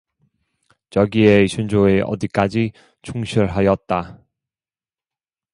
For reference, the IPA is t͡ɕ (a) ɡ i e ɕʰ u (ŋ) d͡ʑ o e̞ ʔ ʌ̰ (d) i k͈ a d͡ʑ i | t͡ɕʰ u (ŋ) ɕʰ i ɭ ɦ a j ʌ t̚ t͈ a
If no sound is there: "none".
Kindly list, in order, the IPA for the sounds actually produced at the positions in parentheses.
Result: ʌ, n, d, ŋ

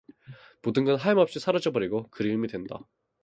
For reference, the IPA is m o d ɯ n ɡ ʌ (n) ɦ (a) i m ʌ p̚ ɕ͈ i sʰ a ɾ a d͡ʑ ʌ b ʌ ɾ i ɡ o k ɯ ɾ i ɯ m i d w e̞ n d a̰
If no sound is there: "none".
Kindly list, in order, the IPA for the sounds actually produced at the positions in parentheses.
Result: n, a

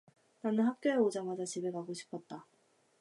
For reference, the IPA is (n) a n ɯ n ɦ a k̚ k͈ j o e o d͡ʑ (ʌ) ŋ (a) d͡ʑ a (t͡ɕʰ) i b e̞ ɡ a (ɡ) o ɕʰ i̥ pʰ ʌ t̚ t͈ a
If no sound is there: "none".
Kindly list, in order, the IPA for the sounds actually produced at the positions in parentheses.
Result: n, a, a, t͡ɕ, ɡ

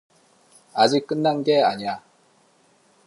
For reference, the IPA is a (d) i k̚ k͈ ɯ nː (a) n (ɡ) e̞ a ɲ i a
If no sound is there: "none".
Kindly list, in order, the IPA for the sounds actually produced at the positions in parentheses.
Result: d͡ʑ, a, ɡ

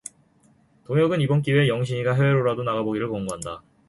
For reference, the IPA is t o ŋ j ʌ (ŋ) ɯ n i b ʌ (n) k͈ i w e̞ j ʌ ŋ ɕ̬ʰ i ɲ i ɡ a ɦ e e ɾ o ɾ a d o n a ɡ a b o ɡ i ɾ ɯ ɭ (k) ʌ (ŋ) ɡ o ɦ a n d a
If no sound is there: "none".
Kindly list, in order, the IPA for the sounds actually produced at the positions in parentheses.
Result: ɡ, n, k, ŋ

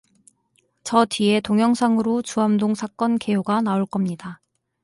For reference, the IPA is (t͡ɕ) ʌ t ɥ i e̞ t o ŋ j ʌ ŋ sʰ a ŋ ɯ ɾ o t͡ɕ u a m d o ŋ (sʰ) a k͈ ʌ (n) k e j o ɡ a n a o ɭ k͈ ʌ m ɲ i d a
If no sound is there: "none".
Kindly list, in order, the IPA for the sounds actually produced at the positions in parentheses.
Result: t͡ɕ, sʰ, n

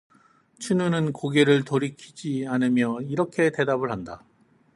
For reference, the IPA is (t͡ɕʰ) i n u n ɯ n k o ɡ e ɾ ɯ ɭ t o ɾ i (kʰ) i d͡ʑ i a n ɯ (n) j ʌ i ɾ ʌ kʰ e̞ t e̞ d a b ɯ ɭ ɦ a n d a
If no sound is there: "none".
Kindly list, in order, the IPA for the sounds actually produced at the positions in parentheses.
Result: t͡ɕʰ, kʰ, m

